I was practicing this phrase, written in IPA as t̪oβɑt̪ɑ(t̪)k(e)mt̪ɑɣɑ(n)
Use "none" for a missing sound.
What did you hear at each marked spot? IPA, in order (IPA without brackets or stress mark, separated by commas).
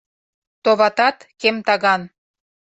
t̪, e, n